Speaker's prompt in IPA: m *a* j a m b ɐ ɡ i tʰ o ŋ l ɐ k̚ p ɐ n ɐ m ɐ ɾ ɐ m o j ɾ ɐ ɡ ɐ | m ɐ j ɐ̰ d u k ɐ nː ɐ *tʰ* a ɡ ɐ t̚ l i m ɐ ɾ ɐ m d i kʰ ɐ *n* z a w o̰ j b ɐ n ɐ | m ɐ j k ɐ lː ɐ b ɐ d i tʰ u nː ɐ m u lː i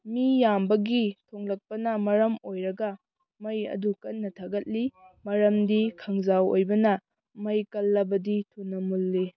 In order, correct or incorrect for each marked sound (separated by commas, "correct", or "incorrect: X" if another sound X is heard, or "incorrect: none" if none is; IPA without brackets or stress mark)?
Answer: incorrect: i, correct, incorrect: ŋ